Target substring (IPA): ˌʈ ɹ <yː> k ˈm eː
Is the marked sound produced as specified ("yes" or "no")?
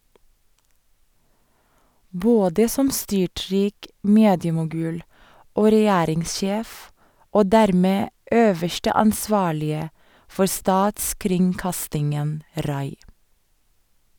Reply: no